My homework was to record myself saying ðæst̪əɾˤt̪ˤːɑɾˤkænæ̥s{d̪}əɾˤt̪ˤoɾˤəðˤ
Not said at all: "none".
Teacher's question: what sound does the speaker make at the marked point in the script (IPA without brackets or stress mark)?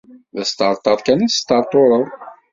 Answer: t̪